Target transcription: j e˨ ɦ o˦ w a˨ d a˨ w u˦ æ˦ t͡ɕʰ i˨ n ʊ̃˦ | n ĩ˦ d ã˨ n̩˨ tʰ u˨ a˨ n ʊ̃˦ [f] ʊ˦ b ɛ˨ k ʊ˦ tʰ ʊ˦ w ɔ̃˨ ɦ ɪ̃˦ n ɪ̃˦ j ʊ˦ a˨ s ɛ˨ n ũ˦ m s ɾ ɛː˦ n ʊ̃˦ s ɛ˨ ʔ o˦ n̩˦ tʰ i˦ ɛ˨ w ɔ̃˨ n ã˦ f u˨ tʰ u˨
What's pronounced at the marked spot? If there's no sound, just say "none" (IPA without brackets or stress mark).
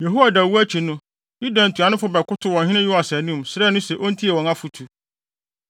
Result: f